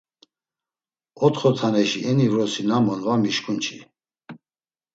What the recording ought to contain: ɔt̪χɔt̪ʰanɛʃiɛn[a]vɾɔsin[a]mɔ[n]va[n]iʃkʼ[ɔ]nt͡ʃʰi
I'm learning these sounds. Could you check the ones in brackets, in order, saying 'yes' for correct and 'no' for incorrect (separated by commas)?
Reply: no, yes, yes, no, no